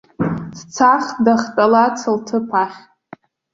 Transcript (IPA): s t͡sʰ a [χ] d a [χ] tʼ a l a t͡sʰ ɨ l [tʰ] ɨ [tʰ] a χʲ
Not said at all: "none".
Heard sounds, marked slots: χ, χ, tʰ, pʰ

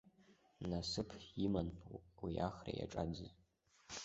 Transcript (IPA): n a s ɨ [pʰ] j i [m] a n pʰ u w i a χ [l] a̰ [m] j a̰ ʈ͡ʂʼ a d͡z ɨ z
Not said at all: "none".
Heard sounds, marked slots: pʰ, m, r, none

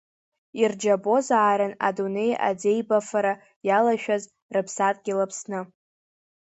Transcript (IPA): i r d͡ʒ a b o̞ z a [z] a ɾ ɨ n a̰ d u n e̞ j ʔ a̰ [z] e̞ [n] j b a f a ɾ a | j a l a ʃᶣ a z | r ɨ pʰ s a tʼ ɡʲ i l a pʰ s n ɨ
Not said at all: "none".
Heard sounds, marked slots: ʕ, d͡z, none

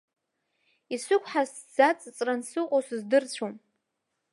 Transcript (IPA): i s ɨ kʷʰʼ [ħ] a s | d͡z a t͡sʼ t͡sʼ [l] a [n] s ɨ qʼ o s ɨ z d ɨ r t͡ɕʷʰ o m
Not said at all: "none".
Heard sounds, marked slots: ħ, r, n

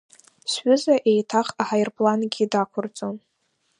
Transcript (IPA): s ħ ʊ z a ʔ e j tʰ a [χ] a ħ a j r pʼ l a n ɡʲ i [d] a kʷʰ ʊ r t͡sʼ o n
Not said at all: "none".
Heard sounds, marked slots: χ, d

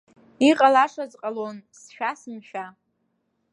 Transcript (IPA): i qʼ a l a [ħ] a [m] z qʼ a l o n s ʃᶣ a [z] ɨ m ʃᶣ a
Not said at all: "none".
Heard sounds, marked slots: ʂ, none, s

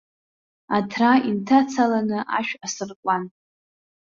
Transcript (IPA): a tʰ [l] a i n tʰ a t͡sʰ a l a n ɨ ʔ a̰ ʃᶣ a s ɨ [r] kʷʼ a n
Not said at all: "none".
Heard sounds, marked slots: r, r

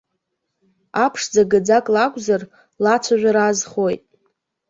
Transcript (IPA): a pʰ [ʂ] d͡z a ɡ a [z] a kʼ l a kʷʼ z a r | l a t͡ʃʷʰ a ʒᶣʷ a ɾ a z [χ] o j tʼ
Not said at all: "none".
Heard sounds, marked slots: ʂ, d͡z, χ

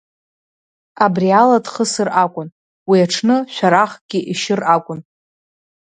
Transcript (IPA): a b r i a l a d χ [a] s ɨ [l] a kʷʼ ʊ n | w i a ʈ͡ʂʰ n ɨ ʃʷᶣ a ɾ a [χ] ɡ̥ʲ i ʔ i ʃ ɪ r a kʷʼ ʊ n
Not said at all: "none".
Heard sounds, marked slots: ə, r, χ

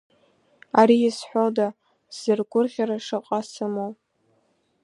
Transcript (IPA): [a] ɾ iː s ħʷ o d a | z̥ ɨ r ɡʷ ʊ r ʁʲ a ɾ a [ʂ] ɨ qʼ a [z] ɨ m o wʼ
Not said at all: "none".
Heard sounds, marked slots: a, ʂ, s

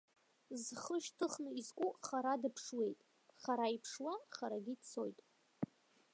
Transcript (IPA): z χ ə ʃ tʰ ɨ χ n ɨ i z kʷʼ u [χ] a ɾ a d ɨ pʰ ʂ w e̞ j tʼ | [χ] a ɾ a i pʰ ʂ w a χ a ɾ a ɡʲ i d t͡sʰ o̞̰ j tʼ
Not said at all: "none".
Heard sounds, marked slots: χ, χ

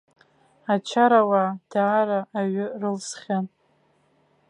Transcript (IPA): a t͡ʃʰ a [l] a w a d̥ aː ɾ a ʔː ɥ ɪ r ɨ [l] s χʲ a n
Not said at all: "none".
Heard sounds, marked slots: ɾ, l

